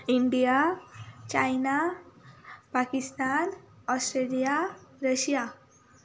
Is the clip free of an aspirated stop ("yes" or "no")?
yes